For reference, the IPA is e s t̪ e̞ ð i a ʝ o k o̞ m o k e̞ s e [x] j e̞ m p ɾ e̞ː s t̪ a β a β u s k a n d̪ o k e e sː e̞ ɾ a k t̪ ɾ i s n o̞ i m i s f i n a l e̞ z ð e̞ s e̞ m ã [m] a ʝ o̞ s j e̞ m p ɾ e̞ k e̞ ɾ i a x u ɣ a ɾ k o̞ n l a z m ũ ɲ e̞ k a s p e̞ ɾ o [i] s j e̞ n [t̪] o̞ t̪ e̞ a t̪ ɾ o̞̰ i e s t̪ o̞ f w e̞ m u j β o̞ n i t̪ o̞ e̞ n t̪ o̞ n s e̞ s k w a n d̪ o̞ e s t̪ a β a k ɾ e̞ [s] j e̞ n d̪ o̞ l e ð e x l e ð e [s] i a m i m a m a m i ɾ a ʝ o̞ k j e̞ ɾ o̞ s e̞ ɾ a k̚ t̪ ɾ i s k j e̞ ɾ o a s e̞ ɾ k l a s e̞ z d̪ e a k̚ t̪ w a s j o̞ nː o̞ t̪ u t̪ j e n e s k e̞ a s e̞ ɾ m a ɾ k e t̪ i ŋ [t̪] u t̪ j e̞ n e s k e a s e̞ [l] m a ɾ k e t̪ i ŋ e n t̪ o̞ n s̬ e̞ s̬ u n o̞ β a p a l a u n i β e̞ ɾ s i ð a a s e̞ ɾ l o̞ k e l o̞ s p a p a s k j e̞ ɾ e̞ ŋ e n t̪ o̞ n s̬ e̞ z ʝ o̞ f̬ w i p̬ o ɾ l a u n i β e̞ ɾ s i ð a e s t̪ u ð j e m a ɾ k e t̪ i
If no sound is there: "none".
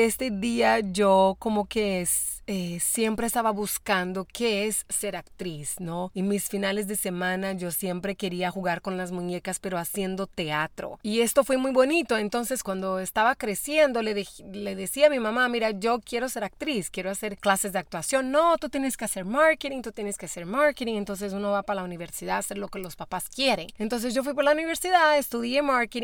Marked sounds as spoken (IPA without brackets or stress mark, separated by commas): s, n, a, d̪, s, s, t̪, ɾ